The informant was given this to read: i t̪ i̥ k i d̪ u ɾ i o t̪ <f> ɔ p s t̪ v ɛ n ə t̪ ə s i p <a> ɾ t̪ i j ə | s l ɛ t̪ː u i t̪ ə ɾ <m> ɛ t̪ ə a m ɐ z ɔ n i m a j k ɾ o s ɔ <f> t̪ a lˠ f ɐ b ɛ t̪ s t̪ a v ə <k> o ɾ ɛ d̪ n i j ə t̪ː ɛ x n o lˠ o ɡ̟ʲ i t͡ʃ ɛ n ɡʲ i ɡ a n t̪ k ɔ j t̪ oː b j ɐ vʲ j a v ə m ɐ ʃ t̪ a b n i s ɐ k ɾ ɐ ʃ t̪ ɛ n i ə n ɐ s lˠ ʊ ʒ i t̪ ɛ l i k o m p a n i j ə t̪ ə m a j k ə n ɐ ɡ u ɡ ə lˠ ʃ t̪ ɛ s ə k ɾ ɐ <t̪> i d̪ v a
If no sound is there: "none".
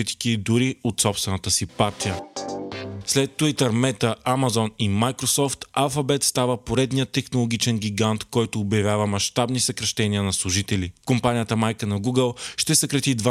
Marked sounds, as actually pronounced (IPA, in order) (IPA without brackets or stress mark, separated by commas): s, a, m, f, p, t̪